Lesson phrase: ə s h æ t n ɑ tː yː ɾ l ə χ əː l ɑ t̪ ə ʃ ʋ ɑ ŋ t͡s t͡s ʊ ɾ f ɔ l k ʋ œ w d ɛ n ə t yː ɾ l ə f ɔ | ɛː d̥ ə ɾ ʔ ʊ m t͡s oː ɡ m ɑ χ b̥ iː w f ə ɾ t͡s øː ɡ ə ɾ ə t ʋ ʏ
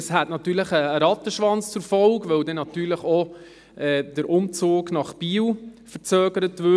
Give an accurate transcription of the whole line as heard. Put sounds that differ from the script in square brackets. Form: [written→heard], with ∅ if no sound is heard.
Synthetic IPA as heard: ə s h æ t n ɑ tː yː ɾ l ə χ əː [l→ɾ] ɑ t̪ ə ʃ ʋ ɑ [ŋ→n] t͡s t͡s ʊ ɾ f ɔ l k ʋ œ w d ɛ n [ə→ɑ] t yː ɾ l ə [f→χ] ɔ | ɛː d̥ ə ɾ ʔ ʊ m t͡s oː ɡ [m→n] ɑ χ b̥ iː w f ə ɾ t͡s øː ɡ ə ɾ ə t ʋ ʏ